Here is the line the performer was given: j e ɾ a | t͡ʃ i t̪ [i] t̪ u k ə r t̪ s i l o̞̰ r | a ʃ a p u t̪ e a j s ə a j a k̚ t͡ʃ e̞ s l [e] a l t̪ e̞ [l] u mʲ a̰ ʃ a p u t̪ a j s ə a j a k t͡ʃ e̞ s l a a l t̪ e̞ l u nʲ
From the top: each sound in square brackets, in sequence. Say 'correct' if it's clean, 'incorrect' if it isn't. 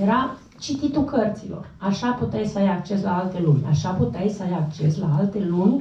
correct, incorrect: a, correct

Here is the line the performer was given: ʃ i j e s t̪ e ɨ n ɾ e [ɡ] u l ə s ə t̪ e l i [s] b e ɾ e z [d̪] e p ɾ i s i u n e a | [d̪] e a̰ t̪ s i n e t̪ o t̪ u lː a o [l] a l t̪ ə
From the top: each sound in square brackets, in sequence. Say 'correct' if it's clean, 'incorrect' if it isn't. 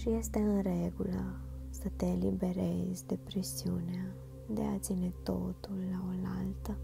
correct, incorrect: none, correct, correct, correct

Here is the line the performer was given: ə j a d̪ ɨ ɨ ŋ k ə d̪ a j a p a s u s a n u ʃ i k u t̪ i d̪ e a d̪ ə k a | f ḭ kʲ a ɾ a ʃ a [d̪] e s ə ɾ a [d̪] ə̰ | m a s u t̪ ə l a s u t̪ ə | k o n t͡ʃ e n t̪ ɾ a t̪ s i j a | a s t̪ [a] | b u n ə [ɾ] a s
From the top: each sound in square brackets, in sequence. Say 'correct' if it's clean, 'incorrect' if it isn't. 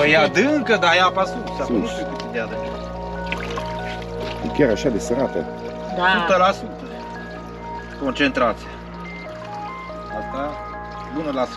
correct, incorrect: t̪, correct, incorrect: l

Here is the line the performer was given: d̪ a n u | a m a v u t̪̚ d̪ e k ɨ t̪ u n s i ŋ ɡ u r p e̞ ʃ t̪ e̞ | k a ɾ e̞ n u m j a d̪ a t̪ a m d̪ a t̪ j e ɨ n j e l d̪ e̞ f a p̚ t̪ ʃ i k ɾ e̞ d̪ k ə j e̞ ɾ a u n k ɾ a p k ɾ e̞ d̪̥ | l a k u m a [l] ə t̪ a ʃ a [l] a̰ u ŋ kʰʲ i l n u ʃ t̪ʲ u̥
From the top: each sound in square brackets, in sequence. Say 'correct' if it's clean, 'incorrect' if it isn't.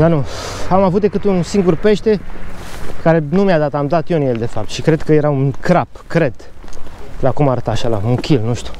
incorrect: ɾ, correct

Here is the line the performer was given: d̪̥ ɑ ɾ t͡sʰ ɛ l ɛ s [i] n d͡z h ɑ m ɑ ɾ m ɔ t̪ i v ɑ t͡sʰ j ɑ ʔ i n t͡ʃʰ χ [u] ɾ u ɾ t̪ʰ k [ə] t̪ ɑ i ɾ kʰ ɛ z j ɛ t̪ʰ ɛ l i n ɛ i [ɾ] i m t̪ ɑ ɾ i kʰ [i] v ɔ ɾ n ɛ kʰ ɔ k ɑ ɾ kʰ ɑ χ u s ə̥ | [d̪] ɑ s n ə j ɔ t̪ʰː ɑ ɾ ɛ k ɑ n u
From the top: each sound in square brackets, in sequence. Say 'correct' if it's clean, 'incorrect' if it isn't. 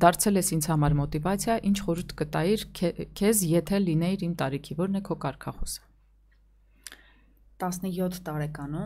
correct, incorrect: ɔ, correct, correct, correct, incorrect: t̪

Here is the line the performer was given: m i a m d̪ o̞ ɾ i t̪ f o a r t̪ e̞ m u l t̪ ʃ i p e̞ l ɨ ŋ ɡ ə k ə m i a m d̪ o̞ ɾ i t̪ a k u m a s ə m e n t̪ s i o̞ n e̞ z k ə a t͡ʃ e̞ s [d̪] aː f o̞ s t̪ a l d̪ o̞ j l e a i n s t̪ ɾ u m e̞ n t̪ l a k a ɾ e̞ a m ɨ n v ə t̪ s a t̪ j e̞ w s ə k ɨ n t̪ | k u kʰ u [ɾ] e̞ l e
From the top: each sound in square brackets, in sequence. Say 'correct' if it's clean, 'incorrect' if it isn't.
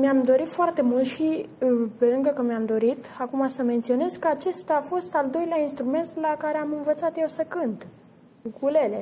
incorrect: t̪, incorrect: l

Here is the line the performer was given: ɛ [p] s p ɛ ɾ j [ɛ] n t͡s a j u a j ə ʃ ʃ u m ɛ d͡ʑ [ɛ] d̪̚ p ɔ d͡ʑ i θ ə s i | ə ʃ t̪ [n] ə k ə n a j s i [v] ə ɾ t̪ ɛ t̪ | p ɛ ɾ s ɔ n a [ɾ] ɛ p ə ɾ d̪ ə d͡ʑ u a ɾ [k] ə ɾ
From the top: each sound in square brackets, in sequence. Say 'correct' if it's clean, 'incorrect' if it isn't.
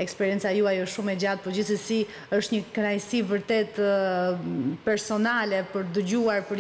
incorrect: k, correct, incorrect: a, incorrect: ɲ, correct, incorrect: l, incorrect: p

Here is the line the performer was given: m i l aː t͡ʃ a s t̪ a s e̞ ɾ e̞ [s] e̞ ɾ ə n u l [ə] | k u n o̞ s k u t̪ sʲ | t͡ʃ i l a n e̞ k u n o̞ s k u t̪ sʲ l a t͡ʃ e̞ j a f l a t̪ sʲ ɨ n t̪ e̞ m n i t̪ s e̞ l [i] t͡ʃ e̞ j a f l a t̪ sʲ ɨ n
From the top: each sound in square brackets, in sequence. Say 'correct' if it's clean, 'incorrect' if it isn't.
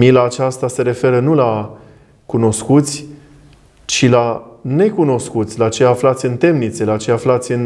incorrect: f, incorrect: a, incorrect: a

